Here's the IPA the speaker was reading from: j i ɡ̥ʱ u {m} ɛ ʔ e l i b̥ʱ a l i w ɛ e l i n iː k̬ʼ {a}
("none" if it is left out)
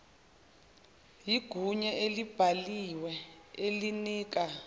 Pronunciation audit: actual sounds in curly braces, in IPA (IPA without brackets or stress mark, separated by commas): ɲ, a